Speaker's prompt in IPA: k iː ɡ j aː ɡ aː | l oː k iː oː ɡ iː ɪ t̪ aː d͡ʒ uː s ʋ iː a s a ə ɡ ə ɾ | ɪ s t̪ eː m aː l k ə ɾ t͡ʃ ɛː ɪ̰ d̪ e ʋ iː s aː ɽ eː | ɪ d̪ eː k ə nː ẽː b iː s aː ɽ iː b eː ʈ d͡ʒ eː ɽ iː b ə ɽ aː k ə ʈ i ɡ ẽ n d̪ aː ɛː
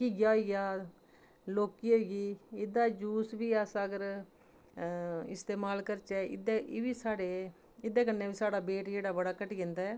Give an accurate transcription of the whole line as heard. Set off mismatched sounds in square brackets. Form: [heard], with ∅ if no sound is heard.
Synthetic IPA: k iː ɡ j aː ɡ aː | l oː k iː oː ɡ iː ɪ [d̪] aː d͡ʒ uː s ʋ iː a s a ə ɡ ə ɾ | ɪ s t̪ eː m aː l k ə ɾ t͡ʃ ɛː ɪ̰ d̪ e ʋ iː s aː ɽ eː | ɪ d̪ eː k ə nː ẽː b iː s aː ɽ [aː] b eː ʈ d͡ʒ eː ɽ [aː] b ə ɽ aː k ə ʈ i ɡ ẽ n d̪ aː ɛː